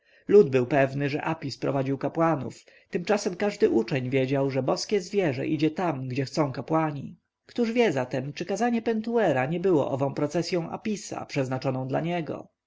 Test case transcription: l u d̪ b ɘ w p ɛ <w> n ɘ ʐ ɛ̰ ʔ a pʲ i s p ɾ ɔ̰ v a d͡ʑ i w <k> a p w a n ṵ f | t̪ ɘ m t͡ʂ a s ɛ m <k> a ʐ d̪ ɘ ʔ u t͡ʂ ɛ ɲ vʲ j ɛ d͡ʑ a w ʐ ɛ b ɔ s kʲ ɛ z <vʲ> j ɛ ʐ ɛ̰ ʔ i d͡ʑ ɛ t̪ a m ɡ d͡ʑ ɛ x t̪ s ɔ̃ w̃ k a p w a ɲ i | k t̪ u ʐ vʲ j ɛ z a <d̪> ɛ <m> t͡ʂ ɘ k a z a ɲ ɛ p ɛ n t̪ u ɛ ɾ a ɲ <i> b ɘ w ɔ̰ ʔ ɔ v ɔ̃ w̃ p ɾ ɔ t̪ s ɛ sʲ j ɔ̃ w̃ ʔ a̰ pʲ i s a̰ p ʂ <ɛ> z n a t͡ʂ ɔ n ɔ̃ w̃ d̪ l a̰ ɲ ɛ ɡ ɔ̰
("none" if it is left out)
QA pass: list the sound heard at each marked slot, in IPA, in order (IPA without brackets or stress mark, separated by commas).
v, k, k, vʲ, t̪, m, ɛ, ɛ